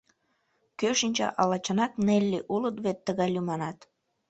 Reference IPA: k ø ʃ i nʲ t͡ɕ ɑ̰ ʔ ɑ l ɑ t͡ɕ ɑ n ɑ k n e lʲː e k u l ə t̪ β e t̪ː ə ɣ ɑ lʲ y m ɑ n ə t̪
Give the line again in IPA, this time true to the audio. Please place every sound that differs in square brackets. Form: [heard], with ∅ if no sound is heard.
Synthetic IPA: k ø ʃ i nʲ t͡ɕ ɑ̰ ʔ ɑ l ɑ t͡ɕ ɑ n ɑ k n e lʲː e [ʔ] u l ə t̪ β e t̪ː ə ɣ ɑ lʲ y m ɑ n [ɑ] t̪